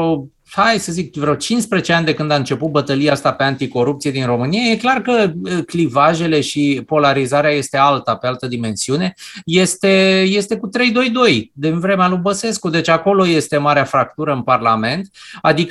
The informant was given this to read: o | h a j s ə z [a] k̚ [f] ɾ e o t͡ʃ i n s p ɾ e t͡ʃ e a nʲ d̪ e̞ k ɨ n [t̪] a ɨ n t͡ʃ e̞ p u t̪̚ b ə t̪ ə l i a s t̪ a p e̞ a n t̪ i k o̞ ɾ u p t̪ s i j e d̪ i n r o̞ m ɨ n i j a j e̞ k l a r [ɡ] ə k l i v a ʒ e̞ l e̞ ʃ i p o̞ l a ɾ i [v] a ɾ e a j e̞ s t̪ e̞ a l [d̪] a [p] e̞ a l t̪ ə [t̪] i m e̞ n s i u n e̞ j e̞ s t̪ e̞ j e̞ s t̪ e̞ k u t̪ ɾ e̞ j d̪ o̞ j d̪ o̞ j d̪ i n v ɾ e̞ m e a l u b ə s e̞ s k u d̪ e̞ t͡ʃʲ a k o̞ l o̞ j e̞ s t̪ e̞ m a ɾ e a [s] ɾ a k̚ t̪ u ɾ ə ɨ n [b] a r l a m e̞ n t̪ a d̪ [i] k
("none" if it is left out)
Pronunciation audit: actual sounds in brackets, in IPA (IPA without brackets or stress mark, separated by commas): i, v, d̪, k, z, t̪, p, d̪, f, p, i